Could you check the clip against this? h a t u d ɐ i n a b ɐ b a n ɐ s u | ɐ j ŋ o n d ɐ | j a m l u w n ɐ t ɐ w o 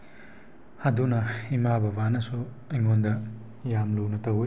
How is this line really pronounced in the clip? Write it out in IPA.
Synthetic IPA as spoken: h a d u n ɐ i m a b ɐ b a n ɐ s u | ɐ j ŋ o n d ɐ | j a m l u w n ɐ t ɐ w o

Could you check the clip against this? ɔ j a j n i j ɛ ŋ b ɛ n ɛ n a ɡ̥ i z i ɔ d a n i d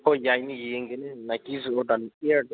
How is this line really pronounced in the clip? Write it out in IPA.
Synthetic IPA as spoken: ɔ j a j n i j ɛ ŋ ɡ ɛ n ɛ n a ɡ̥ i z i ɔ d a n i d

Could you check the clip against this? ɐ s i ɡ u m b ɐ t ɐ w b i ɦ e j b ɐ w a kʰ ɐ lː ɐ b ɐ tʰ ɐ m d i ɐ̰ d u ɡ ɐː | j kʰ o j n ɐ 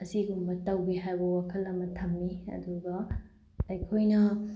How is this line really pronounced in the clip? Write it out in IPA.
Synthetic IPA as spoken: ɐ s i ɡ u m b ɐ t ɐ w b i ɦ a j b ɐ w a kʰ ɐ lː ɐ m ɐ tʰ ɐ m n i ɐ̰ d u ɡ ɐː | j kʰ o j n ɐ

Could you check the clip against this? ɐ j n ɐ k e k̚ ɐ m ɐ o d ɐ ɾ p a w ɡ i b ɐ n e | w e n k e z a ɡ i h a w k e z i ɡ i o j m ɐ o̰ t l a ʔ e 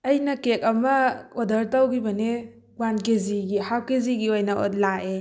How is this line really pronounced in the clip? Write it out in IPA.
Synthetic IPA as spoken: ɐ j n ɐ k e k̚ ɐ m ɐ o d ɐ ɾ t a w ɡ i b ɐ n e | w a n k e z i ɡ i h a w k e z i ɡ i o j n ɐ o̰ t l a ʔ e

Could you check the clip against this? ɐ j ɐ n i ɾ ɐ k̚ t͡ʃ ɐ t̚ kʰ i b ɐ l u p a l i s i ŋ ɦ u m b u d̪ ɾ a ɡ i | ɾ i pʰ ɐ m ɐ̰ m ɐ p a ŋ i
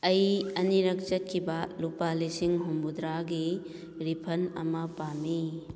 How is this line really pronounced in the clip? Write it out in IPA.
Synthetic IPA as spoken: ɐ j ɐ n i ɾ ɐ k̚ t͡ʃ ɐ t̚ kʰ i b ɐ l u p a l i s i ŋ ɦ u m b u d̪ ɾ a ɡ i | ɾ i pʰ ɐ n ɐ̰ m ɐ p a m i

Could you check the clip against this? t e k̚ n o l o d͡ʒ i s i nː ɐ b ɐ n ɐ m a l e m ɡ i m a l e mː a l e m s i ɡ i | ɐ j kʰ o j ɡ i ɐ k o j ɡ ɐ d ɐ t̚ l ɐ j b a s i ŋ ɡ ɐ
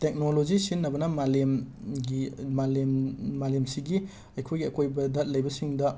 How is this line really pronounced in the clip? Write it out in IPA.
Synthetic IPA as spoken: t e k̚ n o l o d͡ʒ i s i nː ɐ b ɐ n ɐ m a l e m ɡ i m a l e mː a l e m s i ɡ i | ɐ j kʰ o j ɡ i ɐ k o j b ɐ d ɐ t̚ l ɐ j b ɐ s i ŋ d ɐ

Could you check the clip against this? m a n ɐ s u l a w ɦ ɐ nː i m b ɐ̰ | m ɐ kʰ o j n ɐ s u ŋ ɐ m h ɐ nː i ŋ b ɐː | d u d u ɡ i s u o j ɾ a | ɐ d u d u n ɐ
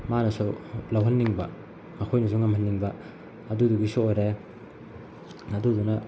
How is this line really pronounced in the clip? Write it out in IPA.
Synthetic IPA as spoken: m a n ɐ s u l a w ɦ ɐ nː i ŋ b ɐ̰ | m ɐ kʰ o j n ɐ s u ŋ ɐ m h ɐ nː i ŋ b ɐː | d u d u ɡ i s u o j ɾ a | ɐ d u d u n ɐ

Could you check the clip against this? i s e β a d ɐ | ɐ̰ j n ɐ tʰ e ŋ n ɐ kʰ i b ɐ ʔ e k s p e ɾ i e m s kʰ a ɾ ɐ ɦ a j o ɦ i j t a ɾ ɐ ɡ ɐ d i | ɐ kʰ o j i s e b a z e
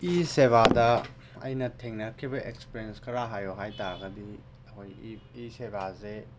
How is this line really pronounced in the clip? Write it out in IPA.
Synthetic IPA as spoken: i s e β a d ɐ | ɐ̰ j n ɐ tʰ e ŋ n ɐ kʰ i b ɐ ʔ e k s p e ɾ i e n s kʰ ɐ ɾ a ɦ a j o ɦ a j t a ɾ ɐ ɡ ɐ d i | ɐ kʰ o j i s e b a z e

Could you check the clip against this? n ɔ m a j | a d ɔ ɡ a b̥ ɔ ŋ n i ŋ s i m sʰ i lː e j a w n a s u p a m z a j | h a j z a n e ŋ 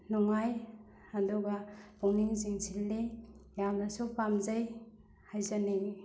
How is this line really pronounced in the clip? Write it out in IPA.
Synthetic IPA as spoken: n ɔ ŋ a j | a d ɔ ɡ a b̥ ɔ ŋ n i ŋ z i ŋ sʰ i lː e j a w n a s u p a m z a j | h a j z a n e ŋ

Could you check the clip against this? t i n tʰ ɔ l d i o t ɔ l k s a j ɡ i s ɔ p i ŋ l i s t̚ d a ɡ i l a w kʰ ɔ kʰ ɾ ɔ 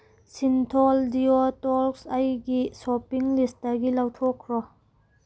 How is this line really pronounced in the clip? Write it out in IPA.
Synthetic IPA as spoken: s i n tʰ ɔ l d i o t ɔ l k s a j ɡ i s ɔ p i ŋ l i s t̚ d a ɡ i l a w tʰ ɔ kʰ ɾ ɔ

